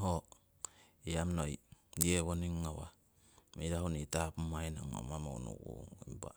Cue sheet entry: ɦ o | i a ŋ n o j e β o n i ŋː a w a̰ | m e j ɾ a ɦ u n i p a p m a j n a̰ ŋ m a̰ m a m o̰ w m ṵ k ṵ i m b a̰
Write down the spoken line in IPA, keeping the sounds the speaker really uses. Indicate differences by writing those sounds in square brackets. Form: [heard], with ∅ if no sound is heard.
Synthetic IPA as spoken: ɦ o | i a [m] n o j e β o n i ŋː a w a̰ | m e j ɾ a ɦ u n i [t] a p m a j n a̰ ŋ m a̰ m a m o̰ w [n] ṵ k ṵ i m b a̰